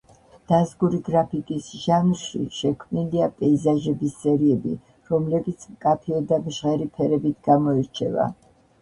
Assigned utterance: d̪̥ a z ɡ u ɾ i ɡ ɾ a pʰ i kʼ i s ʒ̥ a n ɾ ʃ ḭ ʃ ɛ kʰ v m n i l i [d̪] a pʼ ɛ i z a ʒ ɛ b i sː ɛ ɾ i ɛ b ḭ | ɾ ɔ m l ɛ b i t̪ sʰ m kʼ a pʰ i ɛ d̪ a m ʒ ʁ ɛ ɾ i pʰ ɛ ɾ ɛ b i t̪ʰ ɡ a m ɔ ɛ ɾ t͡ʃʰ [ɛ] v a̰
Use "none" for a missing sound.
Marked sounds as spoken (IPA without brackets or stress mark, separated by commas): none, ɛ